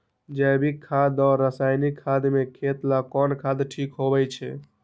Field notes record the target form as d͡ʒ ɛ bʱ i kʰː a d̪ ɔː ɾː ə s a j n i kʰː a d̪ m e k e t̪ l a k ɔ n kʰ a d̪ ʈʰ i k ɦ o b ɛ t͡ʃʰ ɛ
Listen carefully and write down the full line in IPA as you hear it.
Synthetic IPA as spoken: d͡ʒ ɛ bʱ i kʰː a d̪ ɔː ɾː ə s a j n i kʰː a d̪ m e kʰ e t̪ l a k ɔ n kʰ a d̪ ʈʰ i k ɦ o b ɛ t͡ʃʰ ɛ